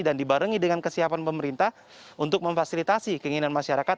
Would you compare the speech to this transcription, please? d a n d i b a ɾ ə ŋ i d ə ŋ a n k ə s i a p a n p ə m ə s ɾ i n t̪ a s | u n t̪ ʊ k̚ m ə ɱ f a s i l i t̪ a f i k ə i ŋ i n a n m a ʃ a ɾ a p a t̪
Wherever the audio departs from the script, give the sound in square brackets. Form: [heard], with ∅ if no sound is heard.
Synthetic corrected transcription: d a n d i b a ɾ ə ŋ i d ə ŋ a n k ə s i a p a n p ə m ə [∅] ɾ i n t̪ a [h] | u n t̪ ʊ k̚ m ə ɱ f a s i l i t̪ a [s] i k ə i ŋ i n a n m a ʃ a ɾ a [k] a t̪